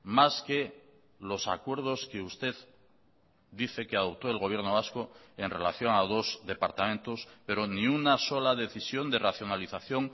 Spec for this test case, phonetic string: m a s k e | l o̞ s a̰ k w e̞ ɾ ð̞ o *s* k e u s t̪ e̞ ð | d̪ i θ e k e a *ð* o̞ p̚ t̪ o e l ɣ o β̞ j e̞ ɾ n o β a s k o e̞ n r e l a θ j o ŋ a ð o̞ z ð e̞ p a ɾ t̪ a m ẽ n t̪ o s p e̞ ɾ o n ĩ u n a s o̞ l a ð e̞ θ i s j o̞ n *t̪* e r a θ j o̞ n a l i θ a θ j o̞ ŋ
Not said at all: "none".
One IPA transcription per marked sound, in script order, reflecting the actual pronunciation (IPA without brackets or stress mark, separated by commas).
s, ð, d̪